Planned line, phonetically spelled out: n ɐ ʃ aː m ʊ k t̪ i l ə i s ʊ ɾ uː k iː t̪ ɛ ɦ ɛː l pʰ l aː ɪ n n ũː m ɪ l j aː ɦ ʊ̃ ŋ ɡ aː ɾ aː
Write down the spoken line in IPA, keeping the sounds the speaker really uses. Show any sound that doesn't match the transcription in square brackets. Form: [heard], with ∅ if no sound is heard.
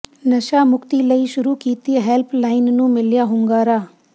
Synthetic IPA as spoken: n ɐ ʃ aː m ʊ k t̪ i l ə i [ʃ] ʊ ɾ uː k iː t̪ [i] ɦ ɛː l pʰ l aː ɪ n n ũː m ɪ l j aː ɦ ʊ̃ ŋ ɡ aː ɾ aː

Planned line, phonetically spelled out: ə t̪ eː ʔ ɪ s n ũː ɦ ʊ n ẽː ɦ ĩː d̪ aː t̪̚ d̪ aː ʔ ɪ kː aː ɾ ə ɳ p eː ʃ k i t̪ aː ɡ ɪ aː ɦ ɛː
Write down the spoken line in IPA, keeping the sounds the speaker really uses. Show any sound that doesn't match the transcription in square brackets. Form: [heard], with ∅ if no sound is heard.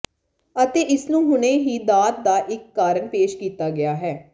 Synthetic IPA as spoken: ə t̪ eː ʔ ɪ s n ũː ɦ ʊ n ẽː ɦ [iː] d̪ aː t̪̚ d̪ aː ʔ ɪ kː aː ɾ ə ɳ p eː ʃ k [iː] t̪ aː ɡ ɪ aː ɦ ɛː

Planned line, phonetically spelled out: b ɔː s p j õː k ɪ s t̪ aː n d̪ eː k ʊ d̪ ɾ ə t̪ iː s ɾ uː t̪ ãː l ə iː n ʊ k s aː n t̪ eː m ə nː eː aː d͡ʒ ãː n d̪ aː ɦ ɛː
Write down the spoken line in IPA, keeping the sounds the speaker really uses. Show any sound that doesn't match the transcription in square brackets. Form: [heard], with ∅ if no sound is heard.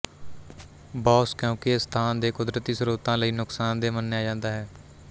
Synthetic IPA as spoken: b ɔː s [k] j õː k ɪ s [t̪ʰ] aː n d̪ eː k ʊ d̪ ɾ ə t̪ iː s ɾ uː t̪ ãː l ə iː n ʊ k s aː n [d̪] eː m ə nː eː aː d͡ʒ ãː n d̪ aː ɦ ɛː

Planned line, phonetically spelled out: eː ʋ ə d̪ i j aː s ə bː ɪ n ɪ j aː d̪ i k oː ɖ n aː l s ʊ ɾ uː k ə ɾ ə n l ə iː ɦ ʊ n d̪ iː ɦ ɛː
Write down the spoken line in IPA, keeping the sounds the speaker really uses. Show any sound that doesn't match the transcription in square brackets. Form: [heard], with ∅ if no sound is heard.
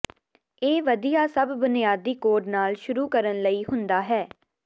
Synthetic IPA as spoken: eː ʋ ə d̪ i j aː s ə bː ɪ n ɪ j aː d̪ [iː] k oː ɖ n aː l [ʃ] ʊ ɾ uː k ə ɾ ə n l ə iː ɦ ʊ n d̪ [aː] ɦ ɛː

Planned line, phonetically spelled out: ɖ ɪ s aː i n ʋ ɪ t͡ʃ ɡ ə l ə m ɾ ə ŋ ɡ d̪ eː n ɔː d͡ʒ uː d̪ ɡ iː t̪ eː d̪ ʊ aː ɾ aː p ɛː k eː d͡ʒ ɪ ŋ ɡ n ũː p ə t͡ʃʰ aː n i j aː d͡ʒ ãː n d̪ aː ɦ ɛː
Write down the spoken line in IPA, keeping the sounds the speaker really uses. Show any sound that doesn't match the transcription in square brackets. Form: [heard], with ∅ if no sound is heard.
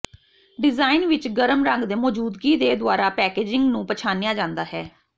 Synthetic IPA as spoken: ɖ ɪ [z] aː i n ʋ ɪ t͡ʃ ɡ ə [ɾ] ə m ɾ ə ŋ ɡ d̪ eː [m] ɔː d͡ʒ uː d̪ ɡ iː [d̪] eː d̪ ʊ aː ɾ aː p ɛː k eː d͡ʒ ɪ ŋ ɡ n ũː p ə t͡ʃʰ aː n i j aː d͡ʒ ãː n d̪ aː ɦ ɛː

